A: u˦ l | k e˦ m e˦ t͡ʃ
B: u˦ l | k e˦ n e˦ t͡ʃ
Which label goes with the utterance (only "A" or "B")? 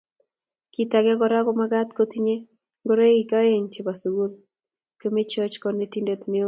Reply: A